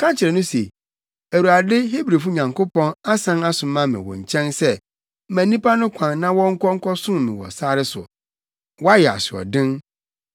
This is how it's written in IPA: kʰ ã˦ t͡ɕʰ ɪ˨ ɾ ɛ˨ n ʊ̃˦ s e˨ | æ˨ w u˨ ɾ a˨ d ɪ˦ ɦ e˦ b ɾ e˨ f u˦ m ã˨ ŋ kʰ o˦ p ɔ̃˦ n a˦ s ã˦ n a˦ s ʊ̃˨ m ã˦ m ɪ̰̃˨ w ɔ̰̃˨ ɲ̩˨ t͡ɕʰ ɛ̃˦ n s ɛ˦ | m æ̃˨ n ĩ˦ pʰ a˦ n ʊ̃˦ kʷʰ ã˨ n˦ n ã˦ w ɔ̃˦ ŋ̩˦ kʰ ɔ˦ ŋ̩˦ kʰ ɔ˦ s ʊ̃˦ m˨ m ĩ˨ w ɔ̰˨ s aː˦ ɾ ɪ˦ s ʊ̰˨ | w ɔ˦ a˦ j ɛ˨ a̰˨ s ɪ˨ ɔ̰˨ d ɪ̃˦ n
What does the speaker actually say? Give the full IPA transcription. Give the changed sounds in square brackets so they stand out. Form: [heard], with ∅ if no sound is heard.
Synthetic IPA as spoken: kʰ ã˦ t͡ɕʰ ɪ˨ ɾ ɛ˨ n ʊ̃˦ s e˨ | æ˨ w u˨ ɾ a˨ d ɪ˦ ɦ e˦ b ɾ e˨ f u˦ [ɲ] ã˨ ŋ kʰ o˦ p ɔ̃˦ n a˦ s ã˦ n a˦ s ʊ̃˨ m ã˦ m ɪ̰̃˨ w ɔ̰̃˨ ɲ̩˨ t͡ɕʰ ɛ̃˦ n s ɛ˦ | m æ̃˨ n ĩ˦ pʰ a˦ n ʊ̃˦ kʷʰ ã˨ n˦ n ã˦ w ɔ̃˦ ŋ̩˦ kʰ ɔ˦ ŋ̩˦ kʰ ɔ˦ s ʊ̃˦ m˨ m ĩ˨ w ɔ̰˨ s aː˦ ɾ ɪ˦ s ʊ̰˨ | w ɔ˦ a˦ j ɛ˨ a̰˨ s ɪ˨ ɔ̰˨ d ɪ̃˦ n